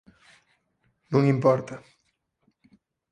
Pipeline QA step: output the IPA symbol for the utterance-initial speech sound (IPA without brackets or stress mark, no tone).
n